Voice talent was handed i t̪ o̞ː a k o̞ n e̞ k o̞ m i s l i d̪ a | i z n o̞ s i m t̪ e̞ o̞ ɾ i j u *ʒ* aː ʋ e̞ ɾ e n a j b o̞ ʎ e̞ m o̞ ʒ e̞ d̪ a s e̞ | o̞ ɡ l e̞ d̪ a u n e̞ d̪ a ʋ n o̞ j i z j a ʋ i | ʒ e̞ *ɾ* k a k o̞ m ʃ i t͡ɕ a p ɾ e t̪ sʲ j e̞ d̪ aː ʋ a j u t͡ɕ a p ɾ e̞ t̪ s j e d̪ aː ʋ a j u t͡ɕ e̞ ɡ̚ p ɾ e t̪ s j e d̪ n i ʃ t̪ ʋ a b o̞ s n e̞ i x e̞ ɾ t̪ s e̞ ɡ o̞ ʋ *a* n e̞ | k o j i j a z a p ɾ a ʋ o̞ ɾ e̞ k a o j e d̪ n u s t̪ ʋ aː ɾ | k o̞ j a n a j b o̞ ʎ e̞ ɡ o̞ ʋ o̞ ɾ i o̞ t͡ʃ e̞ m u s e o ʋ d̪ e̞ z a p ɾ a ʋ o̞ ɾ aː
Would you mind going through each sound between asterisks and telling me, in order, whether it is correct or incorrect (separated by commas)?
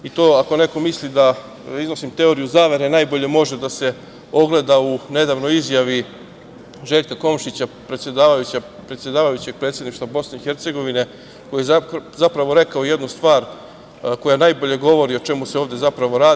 incorrect, incorrect, incorrect